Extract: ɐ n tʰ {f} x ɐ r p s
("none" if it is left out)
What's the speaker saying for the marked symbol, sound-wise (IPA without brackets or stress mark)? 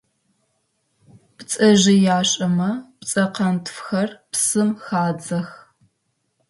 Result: f